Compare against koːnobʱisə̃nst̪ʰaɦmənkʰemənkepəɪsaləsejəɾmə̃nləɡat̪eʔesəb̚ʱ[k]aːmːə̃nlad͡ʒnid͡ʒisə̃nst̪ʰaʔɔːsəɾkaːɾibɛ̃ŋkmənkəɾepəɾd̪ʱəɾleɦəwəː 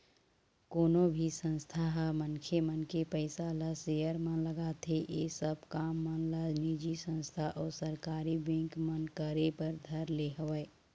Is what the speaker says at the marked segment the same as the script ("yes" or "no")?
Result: yes